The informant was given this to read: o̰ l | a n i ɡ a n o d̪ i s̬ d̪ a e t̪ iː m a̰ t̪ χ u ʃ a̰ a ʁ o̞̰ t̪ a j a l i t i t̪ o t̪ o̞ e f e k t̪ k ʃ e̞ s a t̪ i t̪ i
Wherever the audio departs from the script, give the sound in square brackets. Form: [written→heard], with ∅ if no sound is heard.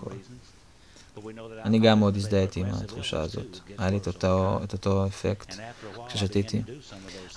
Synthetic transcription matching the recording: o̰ l | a n i ɡ a [n→m] o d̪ i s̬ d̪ a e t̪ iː m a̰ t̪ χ u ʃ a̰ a [ʁ→z] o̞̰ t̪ a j a l i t [i→e] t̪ o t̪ o̞ e f e k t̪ k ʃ e̞ [s→ʃ] a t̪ i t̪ i